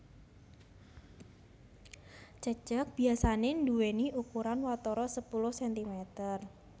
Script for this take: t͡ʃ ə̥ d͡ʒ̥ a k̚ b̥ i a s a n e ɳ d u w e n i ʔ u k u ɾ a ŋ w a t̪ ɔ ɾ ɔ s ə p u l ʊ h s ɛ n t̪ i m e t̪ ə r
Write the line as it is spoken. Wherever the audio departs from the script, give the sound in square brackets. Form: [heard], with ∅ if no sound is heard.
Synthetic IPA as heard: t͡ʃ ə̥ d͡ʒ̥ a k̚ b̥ i a s a n e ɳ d u w e n i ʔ u k u ɾ a [n] w a t̪ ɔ ɾ ɔ s ə p u l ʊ h s ɛ n t̪ i m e t̪ ə r